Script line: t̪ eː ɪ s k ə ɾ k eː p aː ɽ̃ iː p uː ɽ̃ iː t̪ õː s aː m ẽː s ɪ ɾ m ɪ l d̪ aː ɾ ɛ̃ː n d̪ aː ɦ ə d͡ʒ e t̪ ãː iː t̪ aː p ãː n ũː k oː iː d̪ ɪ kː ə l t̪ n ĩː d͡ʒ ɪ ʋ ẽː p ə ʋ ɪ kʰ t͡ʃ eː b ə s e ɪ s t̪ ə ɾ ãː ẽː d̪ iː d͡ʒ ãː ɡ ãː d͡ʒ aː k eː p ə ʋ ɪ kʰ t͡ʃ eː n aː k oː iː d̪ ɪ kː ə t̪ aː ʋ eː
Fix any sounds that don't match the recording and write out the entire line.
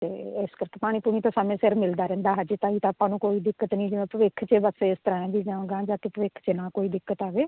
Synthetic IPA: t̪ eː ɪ s k ə ɾ k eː p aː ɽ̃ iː p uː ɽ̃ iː t̪ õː s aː m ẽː s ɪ ɾ m ɪ l d̪ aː ɾ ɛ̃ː n d̪ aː ɦ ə d͡ʒ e t̪ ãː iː t̪ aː p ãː n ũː k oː iː d̪ ɪ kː ə t̪ n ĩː d͡ʒ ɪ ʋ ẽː p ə ʋ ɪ kʰ t͡ʃ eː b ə s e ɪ s t̪ ə ɾ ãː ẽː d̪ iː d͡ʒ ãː ɡ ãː d͡ʒ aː k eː p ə ʋ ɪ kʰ t͡ʃ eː n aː k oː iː d̪ ɪ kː ə t̪ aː ʋ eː